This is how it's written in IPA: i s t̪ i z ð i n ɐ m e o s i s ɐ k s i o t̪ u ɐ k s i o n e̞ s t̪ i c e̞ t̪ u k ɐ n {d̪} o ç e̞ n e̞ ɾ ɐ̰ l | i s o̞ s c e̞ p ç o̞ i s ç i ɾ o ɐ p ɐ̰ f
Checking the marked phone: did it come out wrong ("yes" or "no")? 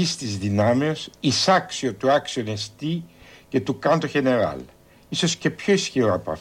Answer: yes